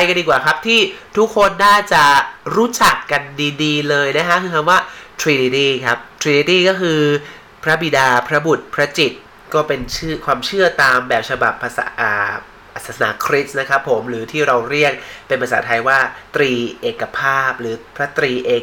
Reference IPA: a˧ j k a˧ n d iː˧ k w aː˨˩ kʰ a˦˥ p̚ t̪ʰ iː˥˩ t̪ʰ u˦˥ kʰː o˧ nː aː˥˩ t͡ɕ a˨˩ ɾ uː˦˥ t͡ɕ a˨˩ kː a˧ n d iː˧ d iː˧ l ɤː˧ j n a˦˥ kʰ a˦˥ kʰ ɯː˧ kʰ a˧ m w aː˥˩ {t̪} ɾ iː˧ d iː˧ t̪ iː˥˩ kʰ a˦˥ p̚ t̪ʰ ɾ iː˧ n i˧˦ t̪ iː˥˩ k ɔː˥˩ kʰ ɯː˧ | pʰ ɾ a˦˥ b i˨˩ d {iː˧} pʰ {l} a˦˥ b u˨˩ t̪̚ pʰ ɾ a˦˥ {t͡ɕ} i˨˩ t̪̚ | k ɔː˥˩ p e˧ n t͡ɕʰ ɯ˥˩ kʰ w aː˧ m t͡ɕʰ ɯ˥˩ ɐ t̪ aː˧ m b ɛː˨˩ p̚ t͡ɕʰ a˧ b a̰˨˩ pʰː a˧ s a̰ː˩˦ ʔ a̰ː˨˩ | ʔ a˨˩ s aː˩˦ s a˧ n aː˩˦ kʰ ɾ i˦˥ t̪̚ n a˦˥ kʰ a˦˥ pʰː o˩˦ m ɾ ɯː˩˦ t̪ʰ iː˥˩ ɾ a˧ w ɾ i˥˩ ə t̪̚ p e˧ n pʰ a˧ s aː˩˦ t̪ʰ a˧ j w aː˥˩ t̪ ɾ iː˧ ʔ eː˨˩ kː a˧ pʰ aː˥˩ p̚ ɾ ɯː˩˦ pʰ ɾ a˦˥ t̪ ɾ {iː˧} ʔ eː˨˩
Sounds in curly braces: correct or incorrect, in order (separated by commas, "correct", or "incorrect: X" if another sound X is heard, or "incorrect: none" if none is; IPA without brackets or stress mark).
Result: incorrect: t̪ʰ, incorrect: aː˧, incorrect: ɾ, correct, correct